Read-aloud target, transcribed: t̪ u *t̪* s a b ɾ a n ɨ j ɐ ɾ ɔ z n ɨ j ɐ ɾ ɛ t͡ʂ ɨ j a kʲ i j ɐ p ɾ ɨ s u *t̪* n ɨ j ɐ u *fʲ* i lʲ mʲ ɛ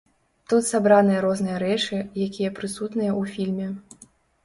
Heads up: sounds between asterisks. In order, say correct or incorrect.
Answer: correct, correct, correct

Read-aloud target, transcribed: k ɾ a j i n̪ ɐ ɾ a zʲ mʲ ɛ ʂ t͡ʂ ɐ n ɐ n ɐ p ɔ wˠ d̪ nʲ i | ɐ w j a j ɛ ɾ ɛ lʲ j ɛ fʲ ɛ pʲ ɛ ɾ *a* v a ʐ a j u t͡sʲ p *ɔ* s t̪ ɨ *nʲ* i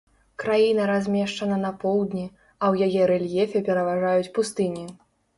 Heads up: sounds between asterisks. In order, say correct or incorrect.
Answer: incorrect, incorrect, correct

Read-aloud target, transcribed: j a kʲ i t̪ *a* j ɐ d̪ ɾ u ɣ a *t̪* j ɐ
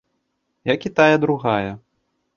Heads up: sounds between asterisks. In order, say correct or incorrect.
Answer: correct, incorrect

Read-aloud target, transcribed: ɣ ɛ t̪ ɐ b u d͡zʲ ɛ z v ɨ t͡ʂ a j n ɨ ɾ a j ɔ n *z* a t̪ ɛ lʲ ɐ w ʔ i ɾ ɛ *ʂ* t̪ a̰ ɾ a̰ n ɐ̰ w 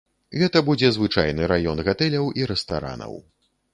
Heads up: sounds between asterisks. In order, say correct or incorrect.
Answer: incorrect, incorrect

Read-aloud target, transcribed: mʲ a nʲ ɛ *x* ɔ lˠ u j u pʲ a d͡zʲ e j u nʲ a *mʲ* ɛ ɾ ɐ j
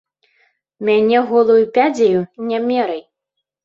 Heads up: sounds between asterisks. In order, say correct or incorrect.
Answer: incorrect, correct

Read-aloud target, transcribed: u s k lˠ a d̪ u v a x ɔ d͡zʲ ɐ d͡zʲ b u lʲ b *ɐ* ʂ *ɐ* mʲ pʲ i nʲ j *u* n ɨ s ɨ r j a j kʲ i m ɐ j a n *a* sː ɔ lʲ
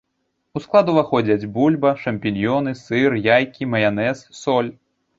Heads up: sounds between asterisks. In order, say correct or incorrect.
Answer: correct, correct, incorrect, incorrect

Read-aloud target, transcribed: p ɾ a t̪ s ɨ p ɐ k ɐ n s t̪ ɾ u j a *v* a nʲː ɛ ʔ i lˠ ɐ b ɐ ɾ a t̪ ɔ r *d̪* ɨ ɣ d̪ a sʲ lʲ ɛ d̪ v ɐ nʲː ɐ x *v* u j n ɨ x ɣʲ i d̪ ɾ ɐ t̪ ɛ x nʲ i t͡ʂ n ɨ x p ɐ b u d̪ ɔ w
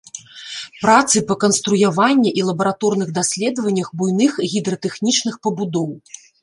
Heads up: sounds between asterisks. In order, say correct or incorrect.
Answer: correct, incorrect, incorrect

